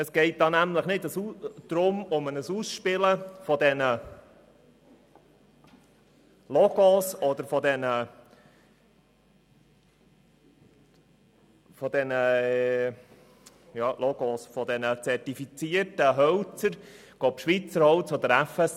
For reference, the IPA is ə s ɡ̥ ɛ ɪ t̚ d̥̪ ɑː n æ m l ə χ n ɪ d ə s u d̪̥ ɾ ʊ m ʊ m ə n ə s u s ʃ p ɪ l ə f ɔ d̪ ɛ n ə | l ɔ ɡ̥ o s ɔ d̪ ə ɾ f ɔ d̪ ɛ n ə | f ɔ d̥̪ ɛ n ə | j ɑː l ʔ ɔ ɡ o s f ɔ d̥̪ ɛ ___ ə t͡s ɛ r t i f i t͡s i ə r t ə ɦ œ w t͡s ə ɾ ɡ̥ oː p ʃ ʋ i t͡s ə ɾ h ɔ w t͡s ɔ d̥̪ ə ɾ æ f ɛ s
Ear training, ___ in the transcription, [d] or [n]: n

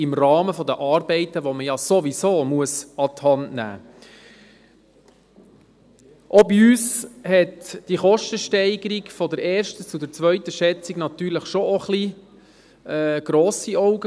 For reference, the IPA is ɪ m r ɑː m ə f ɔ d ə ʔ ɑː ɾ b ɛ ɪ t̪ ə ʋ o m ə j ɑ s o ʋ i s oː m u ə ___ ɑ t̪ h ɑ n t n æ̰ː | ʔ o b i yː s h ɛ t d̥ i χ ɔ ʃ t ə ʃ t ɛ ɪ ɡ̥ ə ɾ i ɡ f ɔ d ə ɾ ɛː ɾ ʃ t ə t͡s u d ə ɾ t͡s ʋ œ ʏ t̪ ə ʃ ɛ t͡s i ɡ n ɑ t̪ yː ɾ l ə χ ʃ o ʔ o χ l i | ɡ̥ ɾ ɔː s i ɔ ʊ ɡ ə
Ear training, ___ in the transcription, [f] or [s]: s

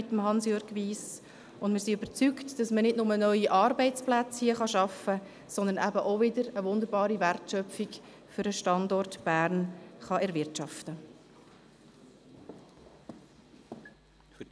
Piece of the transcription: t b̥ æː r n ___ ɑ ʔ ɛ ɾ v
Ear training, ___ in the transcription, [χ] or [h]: χ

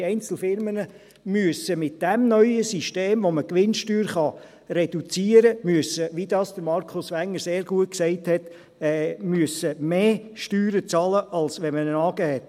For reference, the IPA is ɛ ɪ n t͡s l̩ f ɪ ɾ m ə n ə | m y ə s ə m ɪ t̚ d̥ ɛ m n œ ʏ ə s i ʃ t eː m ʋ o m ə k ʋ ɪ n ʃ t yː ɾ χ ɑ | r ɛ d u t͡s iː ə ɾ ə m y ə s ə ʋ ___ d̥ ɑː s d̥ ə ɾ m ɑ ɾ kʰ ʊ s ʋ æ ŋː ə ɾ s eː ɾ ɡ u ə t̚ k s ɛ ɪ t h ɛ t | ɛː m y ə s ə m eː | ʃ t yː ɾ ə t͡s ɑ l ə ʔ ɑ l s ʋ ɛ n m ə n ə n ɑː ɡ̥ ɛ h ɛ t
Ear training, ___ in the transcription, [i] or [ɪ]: i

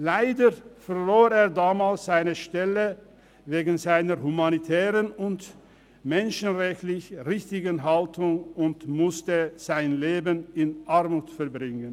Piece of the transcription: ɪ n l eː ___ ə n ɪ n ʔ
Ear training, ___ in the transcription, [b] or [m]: b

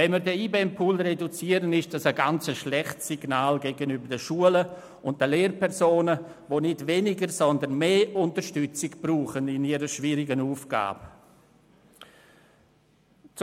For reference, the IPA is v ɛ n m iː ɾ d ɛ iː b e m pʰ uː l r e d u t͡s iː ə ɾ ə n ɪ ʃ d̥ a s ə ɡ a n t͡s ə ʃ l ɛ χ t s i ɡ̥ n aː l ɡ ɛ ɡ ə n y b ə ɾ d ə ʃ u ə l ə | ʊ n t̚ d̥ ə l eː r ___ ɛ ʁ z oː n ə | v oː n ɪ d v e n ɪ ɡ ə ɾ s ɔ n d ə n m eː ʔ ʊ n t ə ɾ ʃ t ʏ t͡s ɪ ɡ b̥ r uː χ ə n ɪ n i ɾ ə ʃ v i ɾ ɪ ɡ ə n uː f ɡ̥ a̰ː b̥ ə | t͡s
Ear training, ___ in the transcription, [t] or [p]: p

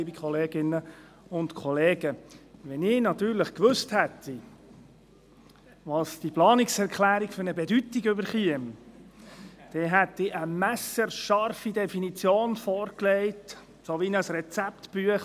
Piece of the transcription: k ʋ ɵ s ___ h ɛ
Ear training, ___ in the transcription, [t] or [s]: t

